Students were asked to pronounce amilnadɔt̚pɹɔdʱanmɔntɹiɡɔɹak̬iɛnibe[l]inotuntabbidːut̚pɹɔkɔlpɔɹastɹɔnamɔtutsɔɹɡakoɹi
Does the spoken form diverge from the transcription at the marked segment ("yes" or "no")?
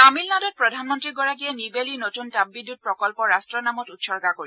no